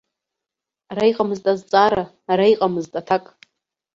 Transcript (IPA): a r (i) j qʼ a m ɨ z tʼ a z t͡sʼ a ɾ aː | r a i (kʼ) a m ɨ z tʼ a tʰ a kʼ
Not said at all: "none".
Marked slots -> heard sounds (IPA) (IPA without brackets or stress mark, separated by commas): a, qʼ